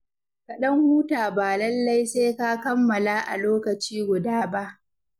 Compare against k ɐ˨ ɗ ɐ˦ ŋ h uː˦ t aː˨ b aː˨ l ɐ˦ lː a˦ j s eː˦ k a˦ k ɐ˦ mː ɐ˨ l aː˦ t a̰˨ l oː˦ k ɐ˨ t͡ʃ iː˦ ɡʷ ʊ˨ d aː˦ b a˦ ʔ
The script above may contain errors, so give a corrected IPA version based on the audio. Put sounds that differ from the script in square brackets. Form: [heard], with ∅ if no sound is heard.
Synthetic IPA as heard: k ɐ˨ ɗ ɐ˦ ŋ h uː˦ t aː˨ b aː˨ l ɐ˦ lː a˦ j s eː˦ k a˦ k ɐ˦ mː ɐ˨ l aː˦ [ʔ] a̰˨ l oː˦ k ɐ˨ t͡ʃ iː˦ ɡʷ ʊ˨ d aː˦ b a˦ ʔ